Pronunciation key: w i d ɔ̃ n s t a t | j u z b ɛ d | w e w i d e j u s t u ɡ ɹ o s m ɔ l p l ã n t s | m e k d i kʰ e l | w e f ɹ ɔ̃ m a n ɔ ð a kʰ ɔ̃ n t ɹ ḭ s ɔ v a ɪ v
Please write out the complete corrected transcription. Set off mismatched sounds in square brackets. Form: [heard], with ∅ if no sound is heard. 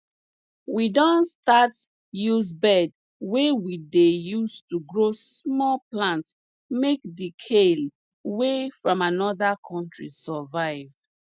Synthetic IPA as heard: w i d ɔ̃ n s t a t | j u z b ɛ d | w e w i d e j u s t u ɡ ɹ o s m ɔ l p l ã n t s | m e k d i kʰ e l | w e f ɹ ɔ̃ m a n ɔ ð a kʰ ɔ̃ n t ɹ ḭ s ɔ v a ɪ v